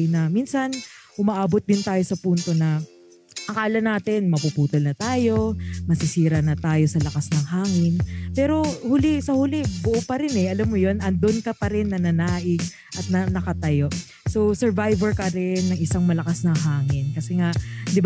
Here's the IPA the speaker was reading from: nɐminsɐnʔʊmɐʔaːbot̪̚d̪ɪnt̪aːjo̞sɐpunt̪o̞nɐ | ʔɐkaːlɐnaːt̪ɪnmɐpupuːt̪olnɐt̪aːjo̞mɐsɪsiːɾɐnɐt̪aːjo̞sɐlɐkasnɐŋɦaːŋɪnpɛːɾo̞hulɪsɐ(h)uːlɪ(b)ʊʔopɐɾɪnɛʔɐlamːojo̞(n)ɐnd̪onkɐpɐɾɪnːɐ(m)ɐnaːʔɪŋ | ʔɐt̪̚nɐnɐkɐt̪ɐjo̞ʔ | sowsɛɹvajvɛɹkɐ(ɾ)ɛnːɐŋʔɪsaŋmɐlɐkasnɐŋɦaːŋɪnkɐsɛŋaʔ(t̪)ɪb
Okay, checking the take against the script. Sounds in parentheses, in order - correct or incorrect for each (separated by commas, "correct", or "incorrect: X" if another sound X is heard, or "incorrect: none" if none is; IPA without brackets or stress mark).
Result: correct, correct, correct, incorrect: n, correct, incorrect: d̪